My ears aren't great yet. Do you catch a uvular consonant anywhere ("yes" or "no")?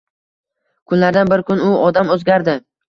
no